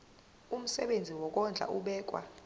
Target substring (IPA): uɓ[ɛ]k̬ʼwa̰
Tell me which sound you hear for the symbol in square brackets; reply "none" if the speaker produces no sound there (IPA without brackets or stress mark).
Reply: ɛː